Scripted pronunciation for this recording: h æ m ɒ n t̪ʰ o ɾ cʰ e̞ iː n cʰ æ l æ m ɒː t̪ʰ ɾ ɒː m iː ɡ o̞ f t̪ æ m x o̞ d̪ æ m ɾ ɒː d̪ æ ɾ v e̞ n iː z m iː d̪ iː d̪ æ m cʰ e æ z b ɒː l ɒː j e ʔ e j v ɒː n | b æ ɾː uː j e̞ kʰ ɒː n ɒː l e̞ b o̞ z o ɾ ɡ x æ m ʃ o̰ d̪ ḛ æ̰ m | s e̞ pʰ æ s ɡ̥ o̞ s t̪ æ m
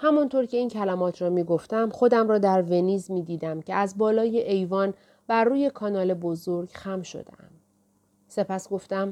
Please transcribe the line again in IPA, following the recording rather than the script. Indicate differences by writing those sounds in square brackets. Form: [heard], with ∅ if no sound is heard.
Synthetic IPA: h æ m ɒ n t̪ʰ o ɾ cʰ e̞ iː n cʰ æ l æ m ɒː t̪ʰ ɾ ɒː m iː ɡ o̞ f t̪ æ m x o̞ d̪ æ m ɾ ɒː d̪ æ ɾ v e̞ n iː z m iː d̪ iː d̪ æ m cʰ e æ z b ɒː l ɒː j e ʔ e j v ɒː n | b æ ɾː uː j e̞ kʰ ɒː n ɒː l e̞ b o̞ z o ɾ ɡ x æ m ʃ o̰ d̪ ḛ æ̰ m | s e̞ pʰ æ s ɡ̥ o̞ [f] t̪ æ m